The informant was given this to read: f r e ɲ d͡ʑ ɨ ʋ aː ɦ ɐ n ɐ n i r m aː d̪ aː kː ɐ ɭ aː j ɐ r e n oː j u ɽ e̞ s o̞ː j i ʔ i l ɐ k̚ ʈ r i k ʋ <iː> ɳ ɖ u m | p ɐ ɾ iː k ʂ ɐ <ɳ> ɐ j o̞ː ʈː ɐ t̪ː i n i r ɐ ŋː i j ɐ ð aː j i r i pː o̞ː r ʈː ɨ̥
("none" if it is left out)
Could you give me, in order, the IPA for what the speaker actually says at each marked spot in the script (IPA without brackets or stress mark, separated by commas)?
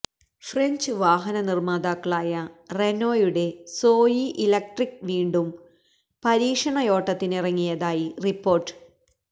iː, ɳ